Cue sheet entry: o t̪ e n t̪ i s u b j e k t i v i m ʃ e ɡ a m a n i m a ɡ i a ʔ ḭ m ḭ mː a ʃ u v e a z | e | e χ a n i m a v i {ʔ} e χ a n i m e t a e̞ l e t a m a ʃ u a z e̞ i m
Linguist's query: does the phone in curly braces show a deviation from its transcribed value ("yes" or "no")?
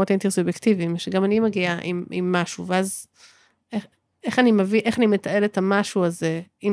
no